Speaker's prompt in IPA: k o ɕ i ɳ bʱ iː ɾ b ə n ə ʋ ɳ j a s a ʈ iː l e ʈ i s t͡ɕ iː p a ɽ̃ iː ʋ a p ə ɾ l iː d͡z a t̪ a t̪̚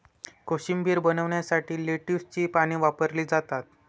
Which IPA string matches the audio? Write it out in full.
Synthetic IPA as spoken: k o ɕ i m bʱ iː ɾ b ə n ə ʋ ɳ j a s a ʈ iː l e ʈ i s t͡ɕ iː p a ɽ̃ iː ʋ a p ə ɾ l iː d͡z a t̪ a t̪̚